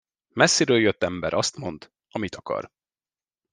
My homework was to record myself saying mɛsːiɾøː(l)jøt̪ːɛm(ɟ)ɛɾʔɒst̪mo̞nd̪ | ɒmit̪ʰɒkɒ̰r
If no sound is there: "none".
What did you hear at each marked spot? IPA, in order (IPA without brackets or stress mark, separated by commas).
l, b